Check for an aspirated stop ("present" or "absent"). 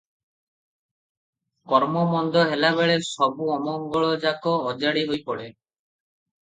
absent